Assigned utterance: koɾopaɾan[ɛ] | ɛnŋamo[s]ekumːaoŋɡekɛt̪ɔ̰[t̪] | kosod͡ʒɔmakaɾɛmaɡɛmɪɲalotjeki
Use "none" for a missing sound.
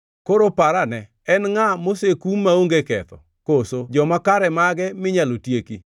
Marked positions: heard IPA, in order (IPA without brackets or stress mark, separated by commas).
ɛ, s, none